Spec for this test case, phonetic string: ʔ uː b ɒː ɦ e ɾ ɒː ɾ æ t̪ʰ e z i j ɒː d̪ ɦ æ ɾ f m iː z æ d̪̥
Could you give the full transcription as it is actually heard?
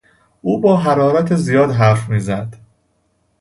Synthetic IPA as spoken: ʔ uː b ɒː ɦ æ ɾ ɒː ɾ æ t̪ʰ e z i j ɒː d̪ ɦ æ ɾ f m iː z æ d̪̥